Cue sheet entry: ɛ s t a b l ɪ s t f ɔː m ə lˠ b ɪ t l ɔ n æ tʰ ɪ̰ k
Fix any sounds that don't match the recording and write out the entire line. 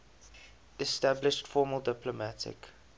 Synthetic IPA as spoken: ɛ s t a b l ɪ ʃ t f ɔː m ə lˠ d ɪ p l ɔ m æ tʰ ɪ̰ k